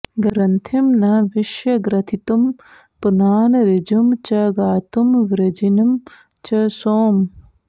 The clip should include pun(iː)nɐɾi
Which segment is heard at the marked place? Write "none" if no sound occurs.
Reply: aː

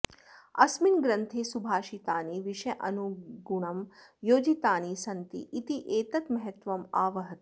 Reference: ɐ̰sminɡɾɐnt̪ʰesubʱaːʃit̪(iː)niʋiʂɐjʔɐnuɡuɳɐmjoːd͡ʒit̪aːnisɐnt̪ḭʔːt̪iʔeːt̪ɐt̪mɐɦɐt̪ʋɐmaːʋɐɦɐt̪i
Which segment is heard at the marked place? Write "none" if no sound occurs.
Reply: aː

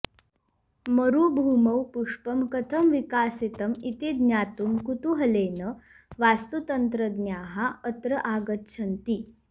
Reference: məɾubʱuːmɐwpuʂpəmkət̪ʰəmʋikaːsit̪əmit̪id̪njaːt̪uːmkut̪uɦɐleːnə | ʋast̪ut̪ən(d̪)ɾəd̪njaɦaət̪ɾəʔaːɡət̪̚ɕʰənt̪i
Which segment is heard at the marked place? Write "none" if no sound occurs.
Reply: t̪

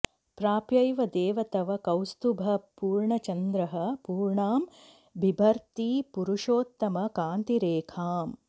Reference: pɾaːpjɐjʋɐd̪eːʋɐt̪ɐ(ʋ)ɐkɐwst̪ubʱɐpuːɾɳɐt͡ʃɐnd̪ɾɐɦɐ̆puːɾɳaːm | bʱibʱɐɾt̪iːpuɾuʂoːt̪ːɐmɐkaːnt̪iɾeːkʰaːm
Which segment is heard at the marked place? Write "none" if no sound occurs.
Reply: ʋ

